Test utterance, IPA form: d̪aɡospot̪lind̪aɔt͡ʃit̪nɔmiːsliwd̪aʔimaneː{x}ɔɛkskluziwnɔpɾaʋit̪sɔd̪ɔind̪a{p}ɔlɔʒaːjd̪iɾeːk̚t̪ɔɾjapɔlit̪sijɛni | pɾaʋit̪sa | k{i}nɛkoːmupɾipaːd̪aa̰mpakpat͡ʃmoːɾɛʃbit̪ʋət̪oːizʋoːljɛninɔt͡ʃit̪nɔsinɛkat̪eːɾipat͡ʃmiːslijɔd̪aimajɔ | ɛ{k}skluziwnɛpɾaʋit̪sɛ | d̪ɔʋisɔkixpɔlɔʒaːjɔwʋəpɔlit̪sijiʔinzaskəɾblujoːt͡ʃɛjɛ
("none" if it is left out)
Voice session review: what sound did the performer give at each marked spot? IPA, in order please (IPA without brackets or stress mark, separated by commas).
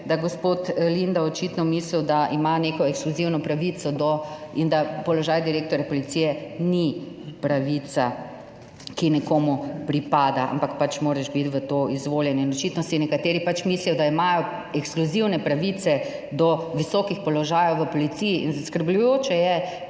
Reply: k, p, i, k